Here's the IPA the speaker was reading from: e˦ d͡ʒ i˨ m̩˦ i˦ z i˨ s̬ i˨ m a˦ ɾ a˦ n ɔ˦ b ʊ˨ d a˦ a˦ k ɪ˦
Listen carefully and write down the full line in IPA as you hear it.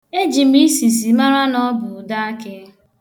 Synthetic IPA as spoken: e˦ d͡ʒ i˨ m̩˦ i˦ s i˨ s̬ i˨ m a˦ ɾ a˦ n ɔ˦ b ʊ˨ d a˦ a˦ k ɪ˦